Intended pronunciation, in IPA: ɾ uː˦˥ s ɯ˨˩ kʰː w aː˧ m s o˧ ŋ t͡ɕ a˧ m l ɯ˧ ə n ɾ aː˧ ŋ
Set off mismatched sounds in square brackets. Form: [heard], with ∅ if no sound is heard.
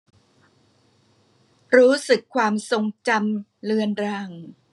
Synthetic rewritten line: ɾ uː˦˥ s ɯ˨˩ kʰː w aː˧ m s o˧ ŋ t͡ɕ a˧ m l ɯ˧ ə n ɾ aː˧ ŋ